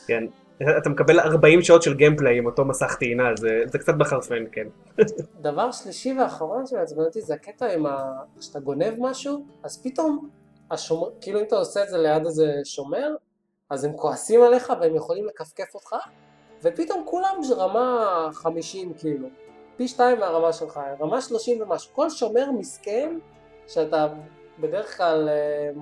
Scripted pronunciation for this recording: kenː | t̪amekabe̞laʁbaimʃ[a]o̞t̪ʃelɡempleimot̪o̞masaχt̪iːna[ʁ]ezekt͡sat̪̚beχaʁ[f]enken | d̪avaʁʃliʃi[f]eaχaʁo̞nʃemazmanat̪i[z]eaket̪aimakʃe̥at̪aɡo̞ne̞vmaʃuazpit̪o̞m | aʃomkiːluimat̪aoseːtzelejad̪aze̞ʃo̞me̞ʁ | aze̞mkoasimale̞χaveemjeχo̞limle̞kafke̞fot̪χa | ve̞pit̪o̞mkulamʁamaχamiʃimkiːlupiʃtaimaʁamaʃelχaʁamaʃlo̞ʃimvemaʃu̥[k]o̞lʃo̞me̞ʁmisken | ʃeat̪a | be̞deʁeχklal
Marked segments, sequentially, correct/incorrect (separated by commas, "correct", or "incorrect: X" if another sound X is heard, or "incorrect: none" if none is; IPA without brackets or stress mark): correct, incorrect: z, correct, incorrect: v, correct, correct